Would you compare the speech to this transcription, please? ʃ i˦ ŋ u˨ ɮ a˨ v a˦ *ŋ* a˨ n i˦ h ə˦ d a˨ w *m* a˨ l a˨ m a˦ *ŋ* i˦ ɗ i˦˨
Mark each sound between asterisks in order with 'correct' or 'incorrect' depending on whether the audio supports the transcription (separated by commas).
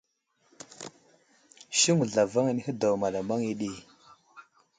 correct, correct, correct